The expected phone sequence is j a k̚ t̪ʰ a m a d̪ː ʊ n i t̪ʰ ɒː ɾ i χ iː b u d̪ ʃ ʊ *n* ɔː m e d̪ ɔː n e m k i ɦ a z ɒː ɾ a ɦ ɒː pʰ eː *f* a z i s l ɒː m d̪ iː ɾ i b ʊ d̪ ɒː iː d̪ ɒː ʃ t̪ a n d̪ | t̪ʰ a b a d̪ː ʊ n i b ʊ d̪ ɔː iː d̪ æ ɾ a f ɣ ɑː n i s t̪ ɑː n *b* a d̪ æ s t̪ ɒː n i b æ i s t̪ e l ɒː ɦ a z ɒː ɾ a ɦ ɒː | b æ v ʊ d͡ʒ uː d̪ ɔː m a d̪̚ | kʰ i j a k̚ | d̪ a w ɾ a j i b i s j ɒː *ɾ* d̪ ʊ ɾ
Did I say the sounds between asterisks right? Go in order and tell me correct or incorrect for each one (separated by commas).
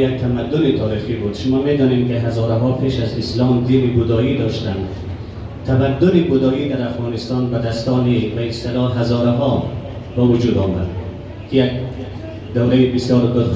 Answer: incorrect, incorrect, correct, correct